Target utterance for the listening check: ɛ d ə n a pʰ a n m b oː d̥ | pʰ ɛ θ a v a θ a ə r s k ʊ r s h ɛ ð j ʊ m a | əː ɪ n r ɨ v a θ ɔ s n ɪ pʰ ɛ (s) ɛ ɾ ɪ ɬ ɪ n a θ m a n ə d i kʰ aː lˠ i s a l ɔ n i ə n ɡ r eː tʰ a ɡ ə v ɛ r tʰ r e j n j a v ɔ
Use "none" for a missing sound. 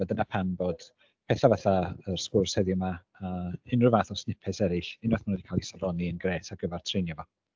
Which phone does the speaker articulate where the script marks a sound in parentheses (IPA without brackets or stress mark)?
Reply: s